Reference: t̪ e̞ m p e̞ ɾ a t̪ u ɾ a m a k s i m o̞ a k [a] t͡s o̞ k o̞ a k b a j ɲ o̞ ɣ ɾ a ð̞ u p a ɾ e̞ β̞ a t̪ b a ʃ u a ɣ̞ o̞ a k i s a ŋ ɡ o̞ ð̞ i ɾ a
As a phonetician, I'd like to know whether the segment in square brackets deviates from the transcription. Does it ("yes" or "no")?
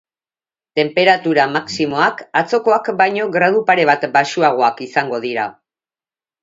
no